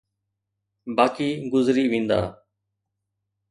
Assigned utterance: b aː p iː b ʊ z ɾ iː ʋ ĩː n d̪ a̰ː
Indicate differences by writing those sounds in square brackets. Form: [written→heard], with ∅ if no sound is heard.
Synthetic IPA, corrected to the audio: b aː [p→k] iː [b→ɡ] ʊ z ɾ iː ʋ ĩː n d̪ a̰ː